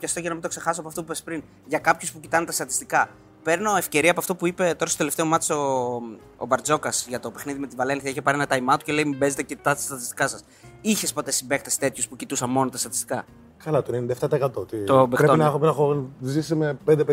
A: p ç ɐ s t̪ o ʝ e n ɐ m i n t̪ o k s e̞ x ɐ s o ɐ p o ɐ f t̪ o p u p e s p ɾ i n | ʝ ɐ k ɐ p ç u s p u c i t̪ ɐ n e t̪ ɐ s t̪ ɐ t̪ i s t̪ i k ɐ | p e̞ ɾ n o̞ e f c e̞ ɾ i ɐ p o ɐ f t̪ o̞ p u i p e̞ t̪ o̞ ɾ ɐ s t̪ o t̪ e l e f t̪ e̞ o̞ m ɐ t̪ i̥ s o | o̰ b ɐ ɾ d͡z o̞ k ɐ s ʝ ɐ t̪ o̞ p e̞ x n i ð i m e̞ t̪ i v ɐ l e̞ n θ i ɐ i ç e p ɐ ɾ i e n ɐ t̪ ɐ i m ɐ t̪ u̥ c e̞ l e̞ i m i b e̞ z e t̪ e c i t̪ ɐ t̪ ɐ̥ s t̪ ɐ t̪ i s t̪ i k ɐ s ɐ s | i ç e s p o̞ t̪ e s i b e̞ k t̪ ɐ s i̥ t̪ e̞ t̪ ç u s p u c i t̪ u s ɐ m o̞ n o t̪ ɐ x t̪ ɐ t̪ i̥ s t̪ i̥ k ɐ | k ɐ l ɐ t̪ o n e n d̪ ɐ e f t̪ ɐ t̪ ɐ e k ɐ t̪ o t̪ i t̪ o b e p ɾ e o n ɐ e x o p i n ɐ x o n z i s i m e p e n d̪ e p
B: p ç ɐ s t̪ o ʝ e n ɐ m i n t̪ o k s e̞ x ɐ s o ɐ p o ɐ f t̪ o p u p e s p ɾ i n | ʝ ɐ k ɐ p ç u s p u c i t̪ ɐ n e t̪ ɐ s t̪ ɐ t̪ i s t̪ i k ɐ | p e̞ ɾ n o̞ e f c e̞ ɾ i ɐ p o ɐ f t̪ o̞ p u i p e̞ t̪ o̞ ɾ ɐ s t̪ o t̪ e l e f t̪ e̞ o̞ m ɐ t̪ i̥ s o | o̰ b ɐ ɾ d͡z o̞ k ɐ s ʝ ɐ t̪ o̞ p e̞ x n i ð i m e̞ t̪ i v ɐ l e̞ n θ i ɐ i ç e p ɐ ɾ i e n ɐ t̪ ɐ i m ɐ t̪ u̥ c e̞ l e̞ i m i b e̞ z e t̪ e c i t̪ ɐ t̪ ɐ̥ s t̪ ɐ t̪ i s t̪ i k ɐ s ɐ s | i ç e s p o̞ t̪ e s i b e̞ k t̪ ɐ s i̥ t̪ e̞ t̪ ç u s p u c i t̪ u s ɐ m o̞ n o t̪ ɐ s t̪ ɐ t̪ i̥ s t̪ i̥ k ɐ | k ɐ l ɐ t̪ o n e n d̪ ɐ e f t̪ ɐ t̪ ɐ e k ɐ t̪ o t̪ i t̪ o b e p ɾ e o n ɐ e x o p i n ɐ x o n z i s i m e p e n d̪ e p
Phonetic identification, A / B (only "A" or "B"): B